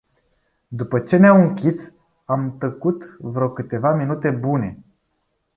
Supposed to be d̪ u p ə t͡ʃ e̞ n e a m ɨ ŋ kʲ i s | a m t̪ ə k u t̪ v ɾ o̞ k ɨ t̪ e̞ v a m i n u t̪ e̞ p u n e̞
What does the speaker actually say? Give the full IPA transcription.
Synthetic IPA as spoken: d̪ u p ə t͡ʃ e̞ n e a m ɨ ŋ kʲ i s | a m t̪ ə k u t̪ v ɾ o̞ k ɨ t̪ e̞ v a m i n u t̪ e̞ b u n e̞